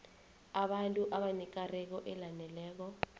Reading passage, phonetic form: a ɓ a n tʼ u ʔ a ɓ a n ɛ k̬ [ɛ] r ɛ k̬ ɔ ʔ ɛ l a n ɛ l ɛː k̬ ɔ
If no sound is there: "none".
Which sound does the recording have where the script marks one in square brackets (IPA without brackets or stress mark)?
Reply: a